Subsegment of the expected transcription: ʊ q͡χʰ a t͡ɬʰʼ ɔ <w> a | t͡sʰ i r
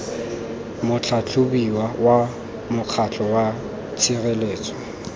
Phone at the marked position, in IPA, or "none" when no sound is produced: w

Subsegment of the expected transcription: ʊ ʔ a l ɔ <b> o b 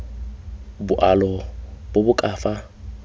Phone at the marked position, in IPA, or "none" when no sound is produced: b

